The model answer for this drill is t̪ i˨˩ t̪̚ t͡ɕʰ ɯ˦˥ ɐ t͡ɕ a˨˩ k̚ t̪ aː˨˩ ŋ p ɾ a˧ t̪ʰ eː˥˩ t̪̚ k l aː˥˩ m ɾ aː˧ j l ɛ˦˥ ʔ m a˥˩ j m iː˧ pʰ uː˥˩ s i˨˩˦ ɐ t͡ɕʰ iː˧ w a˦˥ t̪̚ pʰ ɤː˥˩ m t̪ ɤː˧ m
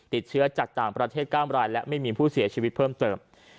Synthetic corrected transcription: t̪ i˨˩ t̪̚ t͡ɕʰ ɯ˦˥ ɐ t͡ɕ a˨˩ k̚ t̪ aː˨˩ ŋ p ɾ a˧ t̪ʰ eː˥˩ t̪̚ k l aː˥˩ m ɾ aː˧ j l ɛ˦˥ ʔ m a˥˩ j m iː˧ pʰ uː˥˩ s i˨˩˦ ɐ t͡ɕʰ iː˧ w i˦˥ t̪̚ pʰ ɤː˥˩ m t̪ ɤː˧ m